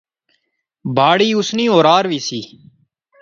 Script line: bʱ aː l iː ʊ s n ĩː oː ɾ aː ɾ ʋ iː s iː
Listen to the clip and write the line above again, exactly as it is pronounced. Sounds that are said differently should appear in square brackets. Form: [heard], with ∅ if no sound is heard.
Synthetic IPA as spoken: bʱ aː [ɽ] iː ʊ s n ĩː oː ɾ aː ɾ ʋ iː s iː